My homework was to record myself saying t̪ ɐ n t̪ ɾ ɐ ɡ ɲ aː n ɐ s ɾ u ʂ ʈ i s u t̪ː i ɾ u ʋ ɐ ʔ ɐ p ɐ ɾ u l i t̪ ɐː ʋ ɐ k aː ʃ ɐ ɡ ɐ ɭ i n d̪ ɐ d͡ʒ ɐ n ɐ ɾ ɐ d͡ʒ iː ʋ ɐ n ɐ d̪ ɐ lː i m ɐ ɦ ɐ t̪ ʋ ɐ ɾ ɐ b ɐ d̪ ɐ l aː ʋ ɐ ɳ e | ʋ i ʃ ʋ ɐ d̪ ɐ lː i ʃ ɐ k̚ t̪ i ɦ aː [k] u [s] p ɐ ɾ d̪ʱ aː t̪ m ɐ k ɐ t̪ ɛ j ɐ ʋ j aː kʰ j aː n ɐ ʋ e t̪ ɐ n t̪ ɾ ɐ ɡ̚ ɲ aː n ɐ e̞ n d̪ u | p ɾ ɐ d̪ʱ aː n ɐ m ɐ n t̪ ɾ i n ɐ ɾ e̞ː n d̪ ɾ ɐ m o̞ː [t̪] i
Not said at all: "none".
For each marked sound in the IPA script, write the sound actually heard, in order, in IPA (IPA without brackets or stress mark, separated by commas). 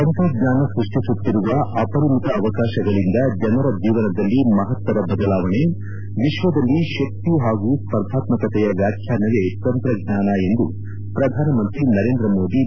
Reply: ɡ, s, d̪